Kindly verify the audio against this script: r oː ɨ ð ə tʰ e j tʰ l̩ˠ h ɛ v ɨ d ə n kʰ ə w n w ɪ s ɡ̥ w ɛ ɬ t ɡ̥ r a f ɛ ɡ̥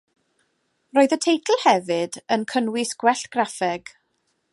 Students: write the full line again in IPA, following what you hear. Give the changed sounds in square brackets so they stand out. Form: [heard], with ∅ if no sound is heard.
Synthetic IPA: r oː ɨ ð ə tʰ e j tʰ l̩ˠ h ɛ v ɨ d ə n kʰ ə [∅] n w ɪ s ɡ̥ w ɛ ɬ t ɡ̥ r a f ɛ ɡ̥